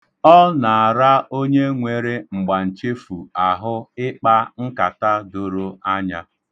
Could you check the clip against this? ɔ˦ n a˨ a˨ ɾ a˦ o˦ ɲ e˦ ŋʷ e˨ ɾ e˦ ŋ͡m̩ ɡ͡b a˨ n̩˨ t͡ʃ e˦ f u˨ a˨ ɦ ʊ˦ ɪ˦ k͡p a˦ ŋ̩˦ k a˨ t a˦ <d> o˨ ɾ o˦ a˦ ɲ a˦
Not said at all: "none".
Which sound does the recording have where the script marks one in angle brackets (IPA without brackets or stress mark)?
d